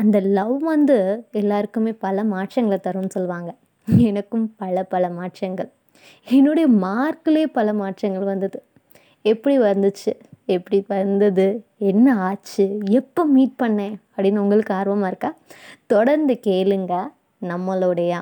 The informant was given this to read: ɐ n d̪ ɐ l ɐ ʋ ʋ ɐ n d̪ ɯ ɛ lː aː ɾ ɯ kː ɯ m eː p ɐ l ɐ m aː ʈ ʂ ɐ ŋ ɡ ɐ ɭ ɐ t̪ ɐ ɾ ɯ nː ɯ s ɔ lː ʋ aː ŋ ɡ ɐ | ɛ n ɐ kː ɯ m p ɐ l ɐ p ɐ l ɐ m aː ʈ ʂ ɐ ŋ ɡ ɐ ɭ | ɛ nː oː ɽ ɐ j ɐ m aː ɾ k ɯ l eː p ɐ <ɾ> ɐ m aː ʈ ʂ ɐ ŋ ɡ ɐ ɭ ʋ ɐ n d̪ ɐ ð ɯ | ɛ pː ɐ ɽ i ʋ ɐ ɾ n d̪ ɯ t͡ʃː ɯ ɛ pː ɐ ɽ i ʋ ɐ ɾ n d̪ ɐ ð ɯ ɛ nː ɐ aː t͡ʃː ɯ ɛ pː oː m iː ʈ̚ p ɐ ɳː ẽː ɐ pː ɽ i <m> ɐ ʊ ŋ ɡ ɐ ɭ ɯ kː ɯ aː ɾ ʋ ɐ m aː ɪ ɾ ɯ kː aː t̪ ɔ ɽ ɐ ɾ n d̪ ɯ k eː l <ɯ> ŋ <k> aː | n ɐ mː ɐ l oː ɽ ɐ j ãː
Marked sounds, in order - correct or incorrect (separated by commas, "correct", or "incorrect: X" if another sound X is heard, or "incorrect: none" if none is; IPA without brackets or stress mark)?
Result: incorrect: l, incorrect: n, correct, incorrect: ɡ